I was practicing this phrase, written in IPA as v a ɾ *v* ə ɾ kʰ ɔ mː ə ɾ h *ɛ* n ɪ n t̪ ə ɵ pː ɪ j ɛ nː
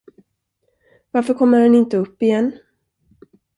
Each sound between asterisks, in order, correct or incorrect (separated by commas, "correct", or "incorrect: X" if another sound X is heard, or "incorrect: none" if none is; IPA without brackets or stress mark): incorrect: f, correct